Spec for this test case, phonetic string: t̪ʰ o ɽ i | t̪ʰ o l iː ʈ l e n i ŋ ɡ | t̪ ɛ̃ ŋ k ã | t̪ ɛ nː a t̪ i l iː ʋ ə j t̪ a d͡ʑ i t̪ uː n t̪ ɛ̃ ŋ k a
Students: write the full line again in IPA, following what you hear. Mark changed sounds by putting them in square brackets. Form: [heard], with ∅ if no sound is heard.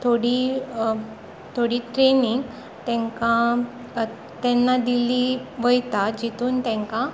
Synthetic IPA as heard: t̪ʰ o ɽ i | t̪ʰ o [ɽ] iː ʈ [ɾ] e n i ŋ ɡ | t̪ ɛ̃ ŋ k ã | t̪ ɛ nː a [d̪] i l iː ʋ ə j t̪ a d͡ʑ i t̪ uː n t̪ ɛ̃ ŋ k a

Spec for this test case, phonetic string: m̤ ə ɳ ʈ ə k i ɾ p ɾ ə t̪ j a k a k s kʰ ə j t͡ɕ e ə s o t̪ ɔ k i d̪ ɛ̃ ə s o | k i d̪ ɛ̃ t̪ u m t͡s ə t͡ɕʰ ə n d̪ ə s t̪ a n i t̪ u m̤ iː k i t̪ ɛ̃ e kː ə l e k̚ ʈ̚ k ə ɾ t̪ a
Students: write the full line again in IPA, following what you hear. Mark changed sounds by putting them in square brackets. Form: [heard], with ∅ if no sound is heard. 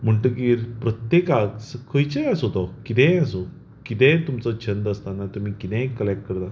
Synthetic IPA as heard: m̤ ə ɳ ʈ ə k i ɾ p ɾ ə t̪ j [e] k a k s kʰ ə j t͡ɕ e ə s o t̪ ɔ k i [t̪] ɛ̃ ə s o | k i [t̪] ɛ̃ t̪ u m t͡s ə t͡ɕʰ ə n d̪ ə s t̪ a n [a] t̪ u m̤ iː k i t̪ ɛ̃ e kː ə l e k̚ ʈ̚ k ə ɾ t̪ a

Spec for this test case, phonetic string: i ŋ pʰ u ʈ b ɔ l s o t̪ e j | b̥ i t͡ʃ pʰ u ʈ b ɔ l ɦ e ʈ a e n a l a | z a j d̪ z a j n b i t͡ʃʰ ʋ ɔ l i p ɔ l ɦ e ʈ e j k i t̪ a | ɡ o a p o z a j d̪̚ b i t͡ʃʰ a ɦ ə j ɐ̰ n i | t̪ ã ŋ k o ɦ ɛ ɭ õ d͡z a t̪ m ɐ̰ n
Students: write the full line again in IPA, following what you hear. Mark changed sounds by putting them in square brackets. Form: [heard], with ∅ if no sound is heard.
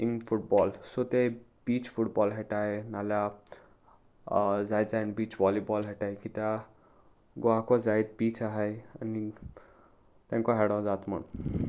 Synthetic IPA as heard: i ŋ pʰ u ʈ b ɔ l s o t̪ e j | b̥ i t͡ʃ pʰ u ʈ b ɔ l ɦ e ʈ a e n a l a | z a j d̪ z a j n b i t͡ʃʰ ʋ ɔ l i [b] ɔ l ɦ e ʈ [a] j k i t̪ a | ɡ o a [k] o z a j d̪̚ b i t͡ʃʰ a ɦ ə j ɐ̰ n i | t̪ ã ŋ k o ɦ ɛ [ɽ] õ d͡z a t̪ m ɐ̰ n

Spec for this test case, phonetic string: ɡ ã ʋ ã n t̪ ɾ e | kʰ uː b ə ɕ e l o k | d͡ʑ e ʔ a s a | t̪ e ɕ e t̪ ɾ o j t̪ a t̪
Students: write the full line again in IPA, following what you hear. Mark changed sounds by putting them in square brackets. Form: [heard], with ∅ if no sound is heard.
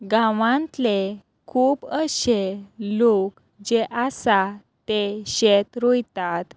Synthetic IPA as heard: ɡ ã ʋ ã n t̪ [l] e | kʰ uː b ə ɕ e l o k | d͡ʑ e ʔ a s a | t̪ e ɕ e t̪ ɾ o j t̪ a t̪

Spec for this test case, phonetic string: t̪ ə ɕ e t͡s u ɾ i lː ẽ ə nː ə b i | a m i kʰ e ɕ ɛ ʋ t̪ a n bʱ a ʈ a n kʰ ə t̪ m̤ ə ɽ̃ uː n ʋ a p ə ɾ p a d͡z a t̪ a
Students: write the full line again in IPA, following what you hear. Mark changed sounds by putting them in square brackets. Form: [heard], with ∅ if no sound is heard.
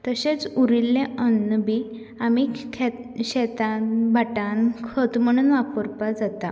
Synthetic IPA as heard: t̪ ə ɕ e t͡s u ɾ i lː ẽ ə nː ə b i | a m i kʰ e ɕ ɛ [∅] t̪ a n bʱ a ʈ a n kʰ ə t̪ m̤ ə ɽ̃ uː n ʋ a p ə ɾ p a d͡z a t̪ a

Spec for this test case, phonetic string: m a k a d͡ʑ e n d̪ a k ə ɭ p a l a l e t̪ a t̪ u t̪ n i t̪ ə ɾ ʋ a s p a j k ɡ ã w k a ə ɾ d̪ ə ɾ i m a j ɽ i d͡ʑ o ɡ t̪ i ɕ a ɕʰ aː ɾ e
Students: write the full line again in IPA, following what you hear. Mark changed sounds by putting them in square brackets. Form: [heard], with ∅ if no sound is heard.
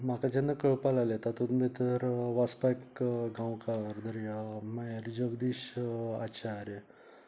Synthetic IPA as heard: m a k a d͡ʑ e n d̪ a k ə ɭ p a l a l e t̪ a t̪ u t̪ [m] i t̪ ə ɾ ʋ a s p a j k ɡ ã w k a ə ɾ d̪ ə ɾ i m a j [ɾ] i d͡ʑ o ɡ [d̪] i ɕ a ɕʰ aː ɾ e

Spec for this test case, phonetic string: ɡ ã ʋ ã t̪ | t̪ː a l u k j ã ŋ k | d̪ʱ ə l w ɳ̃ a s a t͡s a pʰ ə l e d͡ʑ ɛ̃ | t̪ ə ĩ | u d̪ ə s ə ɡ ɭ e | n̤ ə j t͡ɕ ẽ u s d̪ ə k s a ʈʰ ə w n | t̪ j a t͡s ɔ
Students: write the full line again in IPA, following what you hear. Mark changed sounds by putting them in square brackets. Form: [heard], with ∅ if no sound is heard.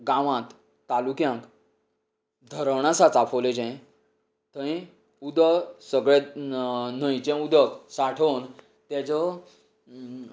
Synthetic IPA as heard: ɡ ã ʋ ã t̪ | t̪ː a l u k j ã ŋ k | d̪ʱ ə [ɾ] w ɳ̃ a s a t͡s a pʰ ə l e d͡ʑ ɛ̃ | t̪ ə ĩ | u d̪ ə s ə ɡ ɭ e | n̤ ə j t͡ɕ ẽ u [∅] d̪ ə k s a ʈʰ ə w n | t̪ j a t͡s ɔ

